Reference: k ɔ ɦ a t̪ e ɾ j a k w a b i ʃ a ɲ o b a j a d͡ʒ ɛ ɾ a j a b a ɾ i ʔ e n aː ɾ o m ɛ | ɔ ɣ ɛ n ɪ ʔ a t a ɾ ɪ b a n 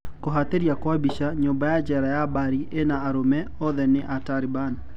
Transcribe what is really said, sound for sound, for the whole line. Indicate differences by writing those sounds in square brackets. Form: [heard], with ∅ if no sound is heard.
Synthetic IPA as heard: k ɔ ɦ a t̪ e ɾ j a k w a b i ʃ a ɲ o b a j a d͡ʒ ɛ ɾ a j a b a ɾ i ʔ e n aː ɾ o m ɛ | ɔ [ð] ɛ n ɪ ʔ a t a ɾ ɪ b a n